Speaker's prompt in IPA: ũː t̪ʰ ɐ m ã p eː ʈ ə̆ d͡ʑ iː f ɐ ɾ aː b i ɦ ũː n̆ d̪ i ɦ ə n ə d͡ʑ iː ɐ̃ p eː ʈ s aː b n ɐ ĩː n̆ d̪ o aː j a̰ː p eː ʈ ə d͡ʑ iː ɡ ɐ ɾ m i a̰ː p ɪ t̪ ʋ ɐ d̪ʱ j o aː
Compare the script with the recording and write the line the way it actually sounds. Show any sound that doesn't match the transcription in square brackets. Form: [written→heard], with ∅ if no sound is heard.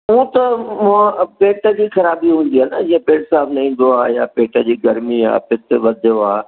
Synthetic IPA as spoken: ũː [t̪ʰ→t̪] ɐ m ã p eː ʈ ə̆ d͡ʑ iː [f→x] ɐ ɾ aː b i ɦ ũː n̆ d̪ i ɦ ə n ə d͡ʑ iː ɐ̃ p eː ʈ s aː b n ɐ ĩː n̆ d̪ o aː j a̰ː p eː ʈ ə d͡ʑ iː ɡ ɐ ɾ m i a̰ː p ɪ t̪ ʋ ɐ d̪ʱ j o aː